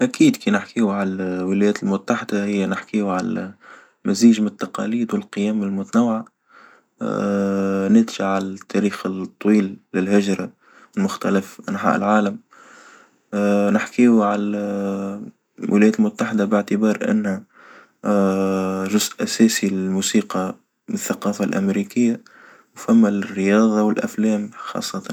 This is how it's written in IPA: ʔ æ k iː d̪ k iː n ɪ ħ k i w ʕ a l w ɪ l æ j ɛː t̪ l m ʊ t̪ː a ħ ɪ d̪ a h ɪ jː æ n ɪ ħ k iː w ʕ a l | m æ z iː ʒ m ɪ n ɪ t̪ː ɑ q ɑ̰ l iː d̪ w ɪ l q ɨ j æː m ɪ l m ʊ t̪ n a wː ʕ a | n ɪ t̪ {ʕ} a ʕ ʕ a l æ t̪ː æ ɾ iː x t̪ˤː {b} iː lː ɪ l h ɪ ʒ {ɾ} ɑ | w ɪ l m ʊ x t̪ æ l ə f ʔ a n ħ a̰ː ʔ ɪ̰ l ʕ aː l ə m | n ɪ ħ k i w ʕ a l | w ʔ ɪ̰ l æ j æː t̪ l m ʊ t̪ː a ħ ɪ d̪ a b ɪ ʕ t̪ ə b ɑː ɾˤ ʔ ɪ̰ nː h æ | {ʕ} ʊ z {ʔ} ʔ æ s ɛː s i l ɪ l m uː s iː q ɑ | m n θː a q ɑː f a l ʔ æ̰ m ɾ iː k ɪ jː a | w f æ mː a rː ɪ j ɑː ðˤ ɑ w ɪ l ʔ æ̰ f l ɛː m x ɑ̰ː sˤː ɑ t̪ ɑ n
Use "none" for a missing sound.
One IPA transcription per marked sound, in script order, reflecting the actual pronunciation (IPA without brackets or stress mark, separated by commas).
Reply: ʒ, w, ɾ, ʒ, ʔ